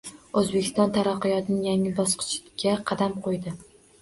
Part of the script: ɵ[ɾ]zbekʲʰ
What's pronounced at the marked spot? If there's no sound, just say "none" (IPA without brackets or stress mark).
none